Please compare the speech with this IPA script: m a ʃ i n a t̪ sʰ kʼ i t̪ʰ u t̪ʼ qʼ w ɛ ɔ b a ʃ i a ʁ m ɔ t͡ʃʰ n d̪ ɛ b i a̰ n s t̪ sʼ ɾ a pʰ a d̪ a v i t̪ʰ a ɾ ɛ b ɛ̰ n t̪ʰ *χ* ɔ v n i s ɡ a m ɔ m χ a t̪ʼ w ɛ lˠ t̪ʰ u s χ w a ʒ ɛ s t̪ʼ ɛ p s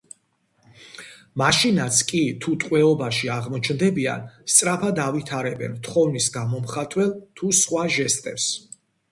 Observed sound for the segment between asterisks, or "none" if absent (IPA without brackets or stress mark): χ